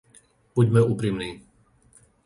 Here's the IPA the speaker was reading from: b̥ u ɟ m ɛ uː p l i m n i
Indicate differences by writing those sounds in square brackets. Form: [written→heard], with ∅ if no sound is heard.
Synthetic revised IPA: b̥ u ɟ m ɛ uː p [l→ɾ] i m n [i→iː]